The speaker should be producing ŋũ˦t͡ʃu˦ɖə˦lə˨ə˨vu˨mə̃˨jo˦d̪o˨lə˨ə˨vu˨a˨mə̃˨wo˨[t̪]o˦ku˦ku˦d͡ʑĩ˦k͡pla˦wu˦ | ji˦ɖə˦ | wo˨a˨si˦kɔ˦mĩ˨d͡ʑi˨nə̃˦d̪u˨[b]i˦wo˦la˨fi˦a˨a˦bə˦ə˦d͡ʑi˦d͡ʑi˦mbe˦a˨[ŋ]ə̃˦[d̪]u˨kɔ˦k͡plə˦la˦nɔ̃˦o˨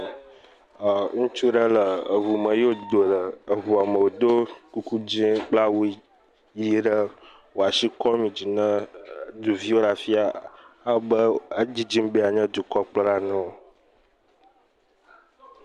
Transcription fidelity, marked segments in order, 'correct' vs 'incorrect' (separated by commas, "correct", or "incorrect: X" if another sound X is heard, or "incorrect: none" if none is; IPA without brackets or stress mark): incorrect: d̪, incorrect: v, incorrect: ɲ, correct